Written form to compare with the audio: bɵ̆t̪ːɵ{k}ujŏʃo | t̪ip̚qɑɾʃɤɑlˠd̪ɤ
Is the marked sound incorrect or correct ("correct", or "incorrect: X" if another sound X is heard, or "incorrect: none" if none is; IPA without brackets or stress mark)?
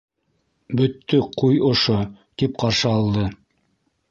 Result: incorrect: q